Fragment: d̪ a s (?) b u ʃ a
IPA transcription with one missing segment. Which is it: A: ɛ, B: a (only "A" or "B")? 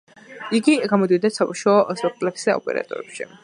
B